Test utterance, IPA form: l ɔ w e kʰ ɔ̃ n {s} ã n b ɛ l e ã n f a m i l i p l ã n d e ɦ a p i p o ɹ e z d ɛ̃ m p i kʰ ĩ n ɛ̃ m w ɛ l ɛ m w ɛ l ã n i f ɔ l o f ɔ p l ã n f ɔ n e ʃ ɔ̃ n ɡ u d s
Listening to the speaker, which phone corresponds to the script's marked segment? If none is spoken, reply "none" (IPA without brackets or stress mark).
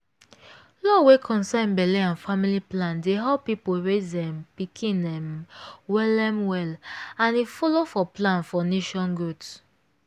s